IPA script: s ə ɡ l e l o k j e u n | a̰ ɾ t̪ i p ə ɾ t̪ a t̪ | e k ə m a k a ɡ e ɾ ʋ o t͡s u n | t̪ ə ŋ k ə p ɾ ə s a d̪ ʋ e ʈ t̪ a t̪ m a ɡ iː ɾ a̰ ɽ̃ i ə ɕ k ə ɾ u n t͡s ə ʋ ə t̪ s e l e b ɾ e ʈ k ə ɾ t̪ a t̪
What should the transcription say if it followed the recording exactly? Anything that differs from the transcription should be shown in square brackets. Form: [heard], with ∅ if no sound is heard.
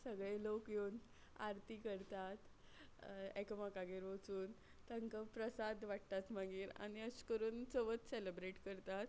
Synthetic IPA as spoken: s ə ɡ [ɭ] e l o k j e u n | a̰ ɾ t̪ i [k] ə ɾ t̪ a t̪ | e k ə m a k a ɡ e ɾ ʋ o t͡s [uː] n | t̪ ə ŋ k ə p ɾ ə s a d̪ ʋ [a] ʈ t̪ a t̪ m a ɡ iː ɾ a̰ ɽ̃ i ə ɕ k ə ɾ [uː] n t͡s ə ʋ ə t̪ s e l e b ɾ e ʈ k ə ɾ t̪ a t̪